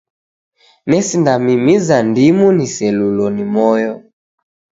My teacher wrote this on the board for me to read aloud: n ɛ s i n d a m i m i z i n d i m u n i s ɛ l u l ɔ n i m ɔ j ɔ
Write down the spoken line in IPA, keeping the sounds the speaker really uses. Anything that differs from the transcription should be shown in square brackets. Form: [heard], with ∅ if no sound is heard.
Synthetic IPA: n ɛ s i n d a m i m i z [a] n d i m u n i s ɛ l u l ɔ n i m ɔ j ɔ